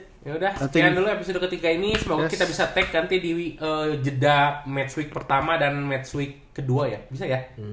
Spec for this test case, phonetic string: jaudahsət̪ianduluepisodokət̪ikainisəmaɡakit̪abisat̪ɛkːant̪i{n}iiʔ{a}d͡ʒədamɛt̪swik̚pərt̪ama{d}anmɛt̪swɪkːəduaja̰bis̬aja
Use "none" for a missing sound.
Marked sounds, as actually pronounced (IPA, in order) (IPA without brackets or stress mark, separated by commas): d, ə, d